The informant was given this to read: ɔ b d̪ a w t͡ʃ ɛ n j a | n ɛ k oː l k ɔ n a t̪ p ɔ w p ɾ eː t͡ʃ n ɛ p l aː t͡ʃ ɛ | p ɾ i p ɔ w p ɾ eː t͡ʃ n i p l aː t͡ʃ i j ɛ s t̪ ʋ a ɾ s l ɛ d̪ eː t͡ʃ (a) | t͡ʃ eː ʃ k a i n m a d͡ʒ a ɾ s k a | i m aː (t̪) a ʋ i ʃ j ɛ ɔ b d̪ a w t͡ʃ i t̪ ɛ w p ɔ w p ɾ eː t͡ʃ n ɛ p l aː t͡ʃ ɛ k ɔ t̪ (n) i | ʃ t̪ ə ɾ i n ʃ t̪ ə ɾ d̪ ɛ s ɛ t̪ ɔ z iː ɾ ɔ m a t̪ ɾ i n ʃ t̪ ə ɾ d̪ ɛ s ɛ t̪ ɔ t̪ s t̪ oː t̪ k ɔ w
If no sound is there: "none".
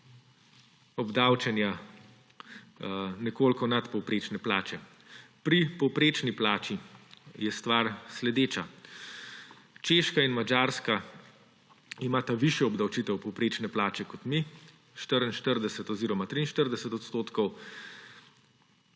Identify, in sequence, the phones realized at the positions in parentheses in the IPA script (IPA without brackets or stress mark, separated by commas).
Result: a, t̪, m